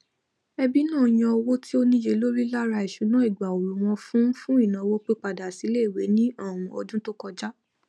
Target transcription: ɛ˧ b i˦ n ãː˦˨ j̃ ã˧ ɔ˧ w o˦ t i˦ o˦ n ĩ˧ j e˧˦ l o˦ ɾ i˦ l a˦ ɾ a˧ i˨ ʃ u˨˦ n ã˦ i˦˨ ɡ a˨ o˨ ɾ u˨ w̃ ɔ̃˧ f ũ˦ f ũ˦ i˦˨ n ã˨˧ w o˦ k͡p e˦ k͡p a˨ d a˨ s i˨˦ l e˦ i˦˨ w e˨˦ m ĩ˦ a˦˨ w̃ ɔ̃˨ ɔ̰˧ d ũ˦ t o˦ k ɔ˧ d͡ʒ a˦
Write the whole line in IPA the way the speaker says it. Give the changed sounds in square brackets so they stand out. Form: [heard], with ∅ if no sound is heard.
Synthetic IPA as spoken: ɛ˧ b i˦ n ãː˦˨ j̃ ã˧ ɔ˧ w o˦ t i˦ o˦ n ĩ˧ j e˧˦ l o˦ ɾ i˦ l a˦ ɾ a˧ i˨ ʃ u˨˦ n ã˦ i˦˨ [ɡ͡b] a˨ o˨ ɾ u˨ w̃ ɔ̃˧ f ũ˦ f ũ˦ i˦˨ n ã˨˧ w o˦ k͡p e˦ k͡p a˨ d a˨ s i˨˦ l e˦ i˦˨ w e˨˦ [n] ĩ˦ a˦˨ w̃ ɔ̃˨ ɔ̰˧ d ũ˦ t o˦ k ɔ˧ d͡ʒ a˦